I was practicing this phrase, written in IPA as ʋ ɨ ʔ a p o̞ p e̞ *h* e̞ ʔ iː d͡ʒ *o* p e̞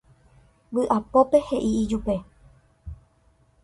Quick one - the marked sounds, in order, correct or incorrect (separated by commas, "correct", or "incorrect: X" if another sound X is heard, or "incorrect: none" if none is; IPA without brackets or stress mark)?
correct, incorrect: u